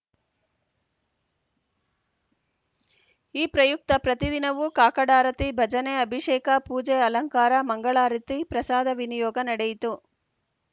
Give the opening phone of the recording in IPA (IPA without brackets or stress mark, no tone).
iː